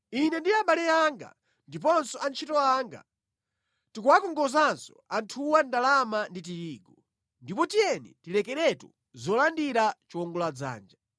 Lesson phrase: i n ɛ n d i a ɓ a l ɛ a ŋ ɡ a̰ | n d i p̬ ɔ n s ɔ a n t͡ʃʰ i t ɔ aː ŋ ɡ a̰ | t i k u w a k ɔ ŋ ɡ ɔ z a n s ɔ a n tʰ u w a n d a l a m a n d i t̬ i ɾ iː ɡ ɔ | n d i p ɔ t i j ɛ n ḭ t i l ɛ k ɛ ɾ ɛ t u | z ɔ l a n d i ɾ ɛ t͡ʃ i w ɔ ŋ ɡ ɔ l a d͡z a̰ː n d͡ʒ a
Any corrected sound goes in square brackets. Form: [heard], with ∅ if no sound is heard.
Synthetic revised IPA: i n ɛ n d i a ɓ a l ɛ a ŋ ɡ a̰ | n d i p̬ ɔ n s ɔ a n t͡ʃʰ i t ɔ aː ŋ ɡ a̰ | t i k u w a k ɔ ŋ ɡ ɔ z a n s ɔ a n tʰ u w a n d a l a m a n d i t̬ i ɾ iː ɡ ɔ | n d i p ɔ t i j ɛ n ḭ t i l ɛ k ɛ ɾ ɛ t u | z ɔ l a n d i ɾ [a] t͡ʃ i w ɔ ŋ ɡ ɔ l a d͡z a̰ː n d͡ʒ a